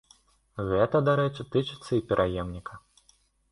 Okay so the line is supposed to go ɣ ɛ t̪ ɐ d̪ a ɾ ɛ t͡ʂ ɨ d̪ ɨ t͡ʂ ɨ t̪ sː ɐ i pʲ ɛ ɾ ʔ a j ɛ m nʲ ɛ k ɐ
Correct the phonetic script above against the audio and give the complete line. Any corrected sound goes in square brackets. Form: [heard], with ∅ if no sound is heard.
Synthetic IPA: ɣ ɛ t̪ ɐ d̪ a ɾ ɛ t͡ʂ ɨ [t̪] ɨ t͡ʂ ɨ t̪ sː ɐ i pʲ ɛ ɾ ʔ a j ɛ m nʲ [i] k ɐ